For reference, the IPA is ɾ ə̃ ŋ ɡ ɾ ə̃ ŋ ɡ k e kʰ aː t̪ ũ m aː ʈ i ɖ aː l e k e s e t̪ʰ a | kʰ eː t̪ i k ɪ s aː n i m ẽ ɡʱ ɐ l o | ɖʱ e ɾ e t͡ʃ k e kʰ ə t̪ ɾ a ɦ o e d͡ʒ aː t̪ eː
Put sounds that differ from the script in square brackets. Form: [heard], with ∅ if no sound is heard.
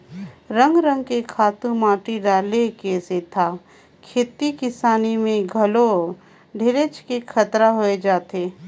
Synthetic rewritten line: ɾ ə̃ ŋ ɡ ɾ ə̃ ŋ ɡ k e kʰ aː t̪ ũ m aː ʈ i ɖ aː l e k e s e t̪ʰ a | kʰ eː t̪ i k ɪ s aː n i m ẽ ɡʱ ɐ l o | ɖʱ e ɾ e t͡ʃ k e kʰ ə t̪ ɾ a ɦ o e d͡ʒ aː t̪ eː